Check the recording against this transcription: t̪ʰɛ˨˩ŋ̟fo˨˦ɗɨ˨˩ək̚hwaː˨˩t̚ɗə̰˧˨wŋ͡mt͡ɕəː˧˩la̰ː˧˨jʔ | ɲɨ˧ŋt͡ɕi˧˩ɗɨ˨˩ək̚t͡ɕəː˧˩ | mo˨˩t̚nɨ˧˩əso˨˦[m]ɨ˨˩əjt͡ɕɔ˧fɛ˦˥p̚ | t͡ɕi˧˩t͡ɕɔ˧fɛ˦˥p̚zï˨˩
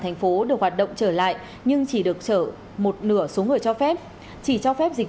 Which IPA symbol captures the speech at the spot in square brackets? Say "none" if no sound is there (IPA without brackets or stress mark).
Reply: ŋ